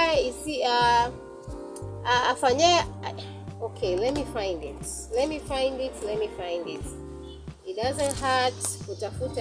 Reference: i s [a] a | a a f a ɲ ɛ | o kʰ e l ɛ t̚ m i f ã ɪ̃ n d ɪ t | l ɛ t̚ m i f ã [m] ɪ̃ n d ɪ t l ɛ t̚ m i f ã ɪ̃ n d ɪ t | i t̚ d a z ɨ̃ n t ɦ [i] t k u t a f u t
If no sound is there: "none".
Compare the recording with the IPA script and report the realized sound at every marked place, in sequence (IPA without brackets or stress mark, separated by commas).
i, none, a